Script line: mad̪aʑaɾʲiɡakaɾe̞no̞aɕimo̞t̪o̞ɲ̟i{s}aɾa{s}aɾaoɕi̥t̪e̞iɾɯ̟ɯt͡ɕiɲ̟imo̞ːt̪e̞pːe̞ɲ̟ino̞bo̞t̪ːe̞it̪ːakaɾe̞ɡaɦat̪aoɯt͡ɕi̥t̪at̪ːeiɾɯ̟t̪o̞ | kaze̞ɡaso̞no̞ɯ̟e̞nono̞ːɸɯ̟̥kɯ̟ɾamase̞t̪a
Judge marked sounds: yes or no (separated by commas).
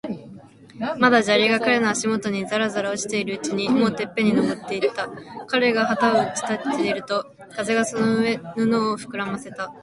no, no